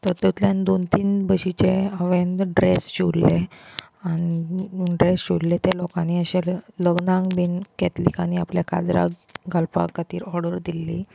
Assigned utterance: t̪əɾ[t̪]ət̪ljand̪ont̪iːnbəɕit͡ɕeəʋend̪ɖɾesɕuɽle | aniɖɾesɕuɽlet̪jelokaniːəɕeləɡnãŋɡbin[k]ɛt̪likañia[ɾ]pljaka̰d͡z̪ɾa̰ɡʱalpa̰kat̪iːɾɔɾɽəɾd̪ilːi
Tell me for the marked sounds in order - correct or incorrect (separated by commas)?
correct, correct, incorrect